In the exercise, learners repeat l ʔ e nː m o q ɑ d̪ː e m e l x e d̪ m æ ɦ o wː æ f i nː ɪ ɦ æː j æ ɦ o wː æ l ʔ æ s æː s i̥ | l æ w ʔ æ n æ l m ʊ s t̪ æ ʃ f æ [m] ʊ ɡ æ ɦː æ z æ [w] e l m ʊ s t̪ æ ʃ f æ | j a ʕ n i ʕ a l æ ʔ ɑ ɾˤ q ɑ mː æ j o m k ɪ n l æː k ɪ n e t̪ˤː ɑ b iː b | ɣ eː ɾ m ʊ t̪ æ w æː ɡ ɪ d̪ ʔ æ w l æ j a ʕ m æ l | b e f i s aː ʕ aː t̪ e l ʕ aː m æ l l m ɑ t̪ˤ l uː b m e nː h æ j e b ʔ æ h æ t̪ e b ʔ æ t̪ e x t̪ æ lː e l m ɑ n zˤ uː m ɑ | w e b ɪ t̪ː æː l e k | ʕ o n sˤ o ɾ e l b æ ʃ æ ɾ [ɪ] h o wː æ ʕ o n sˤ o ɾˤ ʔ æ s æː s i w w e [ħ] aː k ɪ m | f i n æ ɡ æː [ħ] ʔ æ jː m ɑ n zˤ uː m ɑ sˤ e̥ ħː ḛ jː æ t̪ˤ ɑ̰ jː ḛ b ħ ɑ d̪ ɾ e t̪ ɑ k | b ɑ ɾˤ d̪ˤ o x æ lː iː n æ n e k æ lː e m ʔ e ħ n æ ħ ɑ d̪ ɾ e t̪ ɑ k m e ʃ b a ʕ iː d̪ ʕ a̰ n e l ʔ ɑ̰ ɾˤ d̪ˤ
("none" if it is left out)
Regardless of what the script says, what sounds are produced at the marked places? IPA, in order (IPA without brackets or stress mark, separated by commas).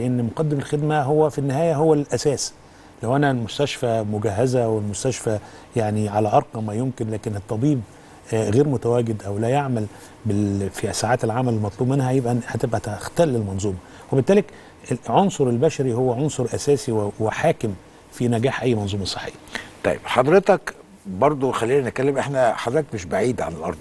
m, w, i, ħ, ħ